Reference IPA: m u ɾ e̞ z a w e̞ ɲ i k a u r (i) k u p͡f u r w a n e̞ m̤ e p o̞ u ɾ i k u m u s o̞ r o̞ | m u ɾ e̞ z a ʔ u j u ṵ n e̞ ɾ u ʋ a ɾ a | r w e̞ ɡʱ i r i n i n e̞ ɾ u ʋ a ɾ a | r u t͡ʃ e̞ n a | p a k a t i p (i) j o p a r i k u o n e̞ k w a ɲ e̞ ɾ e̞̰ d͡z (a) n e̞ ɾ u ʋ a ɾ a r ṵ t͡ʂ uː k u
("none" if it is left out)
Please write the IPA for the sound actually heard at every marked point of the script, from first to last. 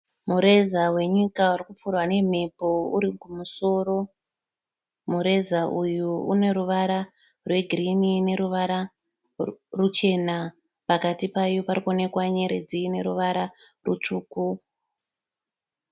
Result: i, a, i

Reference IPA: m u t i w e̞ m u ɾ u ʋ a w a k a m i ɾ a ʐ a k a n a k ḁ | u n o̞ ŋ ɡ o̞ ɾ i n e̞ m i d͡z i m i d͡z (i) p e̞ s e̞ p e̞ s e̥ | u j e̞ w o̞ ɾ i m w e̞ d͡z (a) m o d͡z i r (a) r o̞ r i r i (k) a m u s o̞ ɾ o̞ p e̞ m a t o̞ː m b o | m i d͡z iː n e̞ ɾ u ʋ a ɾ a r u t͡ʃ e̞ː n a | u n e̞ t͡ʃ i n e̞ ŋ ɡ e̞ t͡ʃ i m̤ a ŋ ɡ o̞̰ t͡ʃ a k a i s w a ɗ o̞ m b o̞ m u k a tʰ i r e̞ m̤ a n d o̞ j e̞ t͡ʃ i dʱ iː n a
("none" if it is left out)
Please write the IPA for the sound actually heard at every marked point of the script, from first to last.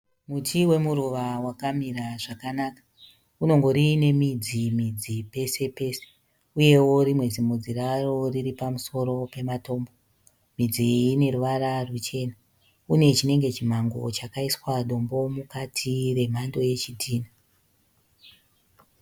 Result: i, i, a, p

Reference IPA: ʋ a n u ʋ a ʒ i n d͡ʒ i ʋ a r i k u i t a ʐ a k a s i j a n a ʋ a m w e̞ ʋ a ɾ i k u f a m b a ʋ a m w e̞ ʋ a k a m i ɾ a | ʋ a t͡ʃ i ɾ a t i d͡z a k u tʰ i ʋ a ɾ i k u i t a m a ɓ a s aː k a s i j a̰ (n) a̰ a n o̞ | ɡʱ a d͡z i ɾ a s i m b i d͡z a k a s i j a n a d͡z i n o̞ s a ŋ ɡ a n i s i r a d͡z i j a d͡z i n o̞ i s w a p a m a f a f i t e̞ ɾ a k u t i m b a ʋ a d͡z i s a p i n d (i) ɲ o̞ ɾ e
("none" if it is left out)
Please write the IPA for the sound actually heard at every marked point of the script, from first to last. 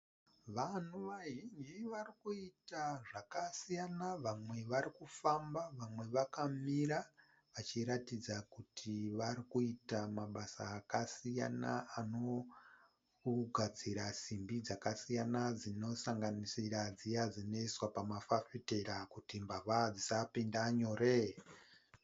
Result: n, a

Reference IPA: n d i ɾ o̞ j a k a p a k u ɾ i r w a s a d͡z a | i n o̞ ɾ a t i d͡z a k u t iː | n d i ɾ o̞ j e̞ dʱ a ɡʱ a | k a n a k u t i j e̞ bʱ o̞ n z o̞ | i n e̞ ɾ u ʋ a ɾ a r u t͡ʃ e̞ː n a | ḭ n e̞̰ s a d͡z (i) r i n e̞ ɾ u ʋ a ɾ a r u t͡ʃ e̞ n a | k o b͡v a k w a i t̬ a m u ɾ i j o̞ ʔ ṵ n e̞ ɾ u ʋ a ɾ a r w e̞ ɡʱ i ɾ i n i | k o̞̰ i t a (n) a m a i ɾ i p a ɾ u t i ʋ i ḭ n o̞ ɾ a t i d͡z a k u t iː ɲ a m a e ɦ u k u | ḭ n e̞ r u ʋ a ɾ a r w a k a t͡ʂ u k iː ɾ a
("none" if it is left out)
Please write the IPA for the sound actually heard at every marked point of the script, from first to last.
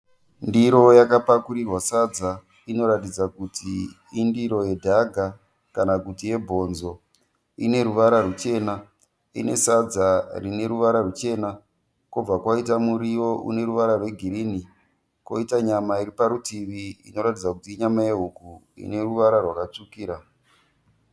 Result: a, ɲ

